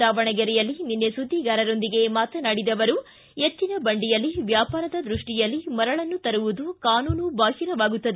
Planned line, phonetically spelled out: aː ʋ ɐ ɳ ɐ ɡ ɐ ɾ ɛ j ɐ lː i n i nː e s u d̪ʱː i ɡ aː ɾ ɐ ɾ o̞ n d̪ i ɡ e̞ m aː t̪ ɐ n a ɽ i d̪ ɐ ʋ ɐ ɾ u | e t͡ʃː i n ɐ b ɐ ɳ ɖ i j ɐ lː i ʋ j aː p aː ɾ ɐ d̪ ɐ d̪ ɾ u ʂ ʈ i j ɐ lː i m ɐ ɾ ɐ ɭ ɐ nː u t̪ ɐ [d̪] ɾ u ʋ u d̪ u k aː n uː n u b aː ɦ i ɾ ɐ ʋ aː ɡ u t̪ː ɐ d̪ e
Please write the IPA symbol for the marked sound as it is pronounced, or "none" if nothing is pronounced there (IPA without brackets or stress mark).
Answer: none